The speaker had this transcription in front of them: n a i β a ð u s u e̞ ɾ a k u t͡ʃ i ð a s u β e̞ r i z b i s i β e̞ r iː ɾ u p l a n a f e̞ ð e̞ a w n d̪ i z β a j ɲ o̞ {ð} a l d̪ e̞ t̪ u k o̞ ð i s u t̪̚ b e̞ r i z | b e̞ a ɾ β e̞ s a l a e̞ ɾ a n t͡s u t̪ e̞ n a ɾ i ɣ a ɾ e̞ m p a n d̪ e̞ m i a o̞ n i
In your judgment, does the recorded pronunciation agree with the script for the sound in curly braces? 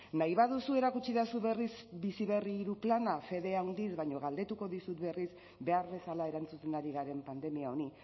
no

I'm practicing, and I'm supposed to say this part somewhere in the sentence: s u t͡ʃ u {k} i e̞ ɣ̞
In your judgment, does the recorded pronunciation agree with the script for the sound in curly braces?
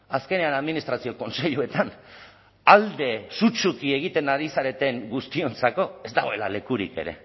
yes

